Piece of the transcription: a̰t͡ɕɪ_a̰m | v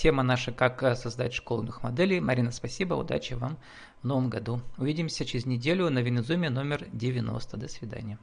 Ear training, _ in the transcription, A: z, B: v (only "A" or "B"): B